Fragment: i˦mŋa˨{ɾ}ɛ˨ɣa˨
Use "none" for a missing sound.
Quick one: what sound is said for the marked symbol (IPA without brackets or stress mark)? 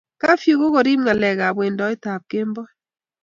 l